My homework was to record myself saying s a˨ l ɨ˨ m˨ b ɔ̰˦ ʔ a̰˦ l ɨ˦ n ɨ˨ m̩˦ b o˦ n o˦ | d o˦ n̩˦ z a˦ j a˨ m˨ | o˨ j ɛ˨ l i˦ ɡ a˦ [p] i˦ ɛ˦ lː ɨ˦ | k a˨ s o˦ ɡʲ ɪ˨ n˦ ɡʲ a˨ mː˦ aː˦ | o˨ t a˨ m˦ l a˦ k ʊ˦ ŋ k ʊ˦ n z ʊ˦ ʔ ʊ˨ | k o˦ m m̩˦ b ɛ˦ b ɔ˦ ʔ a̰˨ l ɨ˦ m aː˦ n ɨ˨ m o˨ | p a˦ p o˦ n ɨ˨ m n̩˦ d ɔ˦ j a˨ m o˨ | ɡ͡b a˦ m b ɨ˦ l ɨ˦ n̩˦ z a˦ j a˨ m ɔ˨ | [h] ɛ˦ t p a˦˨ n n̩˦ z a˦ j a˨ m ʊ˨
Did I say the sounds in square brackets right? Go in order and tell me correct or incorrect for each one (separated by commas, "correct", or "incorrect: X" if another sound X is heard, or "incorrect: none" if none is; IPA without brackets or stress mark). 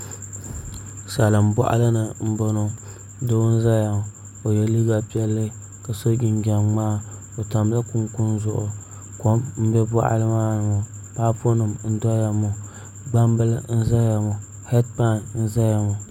correct, correct